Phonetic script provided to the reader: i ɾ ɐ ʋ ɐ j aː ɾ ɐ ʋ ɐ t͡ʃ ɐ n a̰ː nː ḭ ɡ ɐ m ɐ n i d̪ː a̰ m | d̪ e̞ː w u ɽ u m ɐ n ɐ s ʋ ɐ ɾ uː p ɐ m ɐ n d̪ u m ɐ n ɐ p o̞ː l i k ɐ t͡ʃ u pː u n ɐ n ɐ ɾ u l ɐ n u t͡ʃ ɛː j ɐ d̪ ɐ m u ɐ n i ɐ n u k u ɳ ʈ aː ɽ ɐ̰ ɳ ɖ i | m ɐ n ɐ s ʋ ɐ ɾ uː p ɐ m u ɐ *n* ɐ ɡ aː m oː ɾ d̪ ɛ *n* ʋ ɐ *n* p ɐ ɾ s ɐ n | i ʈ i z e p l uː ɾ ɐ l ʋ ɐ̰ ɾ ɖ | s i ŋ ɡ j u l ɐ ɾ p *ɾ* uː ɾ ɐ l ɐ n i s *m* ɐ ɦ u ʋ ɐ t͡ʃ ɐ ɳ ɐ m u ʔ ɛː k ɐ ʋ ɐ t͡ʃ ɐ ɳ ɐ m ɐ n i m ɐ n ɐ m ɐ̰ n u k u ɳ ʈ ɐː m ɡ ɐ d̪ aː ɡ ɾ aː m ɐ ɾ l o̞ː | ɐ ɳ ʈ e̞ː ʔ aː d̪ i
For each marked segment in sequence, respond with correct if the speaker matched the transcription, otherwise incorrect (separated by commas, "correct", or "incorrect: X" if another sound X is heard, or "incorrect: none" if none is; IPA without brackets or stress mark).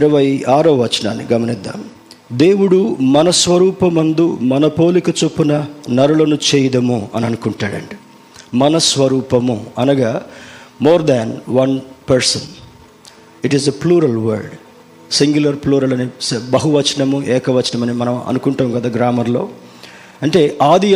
correct, correct, correct, incorrect: l, incorrect: b